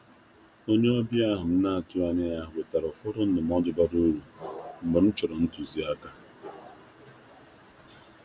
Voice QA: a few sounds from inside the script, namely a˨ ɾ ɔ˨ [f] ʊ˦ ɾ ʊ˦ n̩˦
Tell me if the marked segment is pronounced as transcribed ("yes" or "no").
yes